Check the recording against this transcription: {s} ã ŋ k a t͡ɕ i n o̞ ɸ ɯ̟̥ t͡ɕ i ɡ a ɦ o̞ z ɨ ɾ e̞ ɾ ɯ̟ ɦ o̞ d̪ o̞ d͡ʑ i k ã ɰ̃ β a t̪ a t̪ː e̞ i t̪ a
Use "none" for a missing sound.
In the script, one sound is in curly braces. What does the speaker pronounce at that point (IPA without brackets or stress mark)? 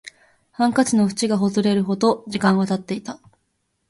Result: h